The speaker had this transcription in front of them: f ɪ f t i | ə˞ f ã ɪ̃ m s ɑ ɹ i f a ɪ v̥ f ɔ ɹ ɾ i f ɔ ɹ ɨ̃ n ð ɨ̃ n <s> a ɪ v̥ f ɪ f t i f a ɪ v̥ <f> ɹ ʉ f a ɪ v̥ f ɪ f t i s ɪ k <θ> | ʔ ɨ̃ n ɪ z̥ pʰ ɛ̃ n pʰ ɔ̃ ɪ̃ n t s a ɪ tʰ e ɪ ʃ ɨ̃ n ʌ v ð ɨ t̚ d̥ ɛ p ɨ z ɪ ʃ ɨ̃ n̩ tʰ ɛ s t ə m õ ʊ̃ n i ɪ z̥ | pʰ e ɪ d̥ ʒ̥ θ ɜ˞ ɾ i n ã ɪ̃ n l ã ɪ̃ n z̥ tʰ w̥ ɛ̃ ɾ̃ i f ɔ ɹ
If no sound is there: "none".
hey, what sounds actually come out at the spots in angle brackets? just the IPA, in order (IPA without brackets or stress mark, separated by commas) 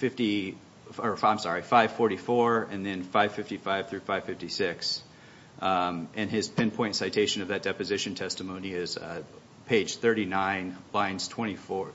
f, θ, s